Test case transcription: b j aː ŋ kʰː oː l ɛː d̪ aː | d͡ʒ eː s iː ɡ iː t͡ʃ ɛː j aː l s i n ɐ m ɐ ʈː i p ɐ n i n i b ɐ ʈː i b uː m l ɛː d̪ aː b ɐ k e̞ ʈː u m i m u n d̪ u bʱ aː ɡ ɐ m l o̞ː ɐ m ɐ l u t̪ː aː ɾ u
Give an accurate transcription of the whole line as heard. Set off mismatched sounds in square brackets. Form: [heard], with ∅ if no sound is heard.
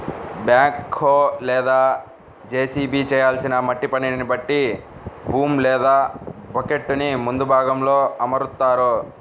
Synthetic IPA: b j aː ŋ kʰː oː l ɛː d̪ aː | d͡ʒ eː s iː [b] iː t͡ʃ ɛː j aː l s i n ɐ m ɐ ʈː i p ɐ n i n i b ɐ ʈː i b uː m l ɛː d̪ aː b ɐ k e̞ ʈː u [n] i m u n d̪ u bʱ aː ɡ ɐ m l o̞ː ɐ m ɐ [ɾ] u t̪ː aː ɾ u